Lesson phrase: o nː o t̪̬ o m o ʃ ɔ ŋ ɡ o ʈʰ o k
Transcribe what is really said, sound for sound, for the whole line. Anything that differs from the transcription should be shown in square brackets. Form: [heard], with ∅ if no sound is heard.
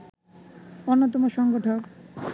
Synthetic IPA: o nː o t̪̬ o m o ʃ ɔ ŋ ɡ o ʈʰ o k

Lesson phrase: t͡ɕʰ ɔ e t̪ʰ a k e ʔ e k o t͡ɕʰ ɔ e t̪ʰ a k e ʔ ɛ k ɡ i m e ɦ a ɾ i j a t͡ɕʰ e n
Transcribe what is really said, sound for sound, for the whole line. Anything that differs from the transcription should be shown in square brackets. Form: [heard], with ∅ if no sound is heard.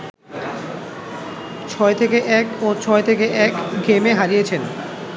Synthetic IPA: t͡ɕʰ ɔ e t̪ʰ [e] k e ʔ [ɛ] k o t͡ɕʰ ɔ e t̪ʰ [e] k e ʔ ɛ k ɡ [e] m e ɦ a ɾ i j [e] t͡ɕʰ e n

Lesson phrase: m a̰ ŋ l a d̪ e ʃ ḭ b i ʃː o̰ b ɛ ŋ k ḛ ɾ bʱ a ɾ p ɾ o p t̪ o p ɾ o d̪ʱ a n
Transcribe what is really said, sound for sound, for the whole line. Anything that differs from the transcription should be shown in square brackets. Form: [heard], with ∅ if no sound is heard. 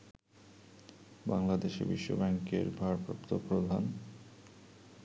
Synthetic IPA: [b] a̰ ŋ l a d̪ e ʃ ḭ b i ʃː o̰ b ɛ ŋ k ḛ ɾ bʱ a ɾ p ɾ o p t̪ o p ɾ o d̪ʱ a n

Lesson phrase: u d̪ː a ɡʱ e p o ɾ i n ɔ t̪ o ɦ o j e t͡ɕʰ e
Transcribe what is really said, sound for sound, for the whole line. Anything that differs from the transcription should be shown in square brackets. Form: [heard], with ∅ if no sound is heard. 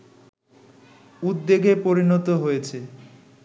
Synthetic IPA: u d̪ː [e] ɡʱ e p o ɾ i n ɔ t̪ o ɦ o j e t͡ɕʰ e

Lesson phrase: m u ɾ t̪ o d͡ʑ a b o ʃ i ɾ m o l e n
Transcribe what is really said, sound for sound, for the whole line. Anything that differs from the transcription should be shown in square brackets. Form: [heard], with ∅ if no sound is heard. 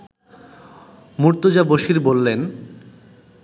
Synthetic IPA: m u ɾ t̪ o d͡ʑ a b o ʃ i ɾ [b] o [lː] e n

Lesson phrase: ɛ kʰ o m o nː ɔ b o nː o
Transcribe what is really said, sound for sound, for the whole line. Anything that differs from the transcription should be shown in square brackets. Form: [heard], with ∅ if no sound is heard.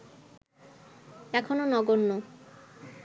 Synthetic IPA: ɛ kʰ o [n] o [n] ɔ [ɡ] o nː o

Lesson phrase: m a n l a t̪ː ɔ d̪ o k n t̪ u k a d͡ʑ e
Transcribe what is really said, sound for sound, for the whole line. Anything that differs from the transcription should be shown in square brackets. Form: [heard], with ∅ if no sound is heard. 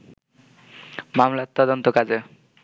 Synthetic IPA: m a [m] l a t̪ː ɔ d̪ o [∅] n t̪ [o] k a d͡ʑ e

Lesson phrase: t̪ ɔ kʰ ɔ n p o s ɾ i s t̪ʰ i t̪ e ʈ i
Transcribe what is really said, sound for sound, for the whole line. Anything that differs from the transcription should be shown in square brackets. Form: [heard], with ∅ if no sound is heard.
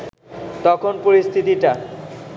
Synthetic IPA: t̪ ɔ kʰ [o] n p o [∅] ɾ i s t̪ʰ i t̪ [i] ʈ [a]

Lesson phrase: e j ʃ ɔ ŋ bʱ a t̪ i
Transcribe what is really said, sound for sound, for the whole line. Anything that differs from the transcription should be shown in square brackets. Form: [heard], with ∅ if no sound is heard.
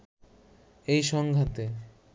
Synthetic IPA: e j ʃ ɔ ŋ [ɡʱ] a t̪ [e]

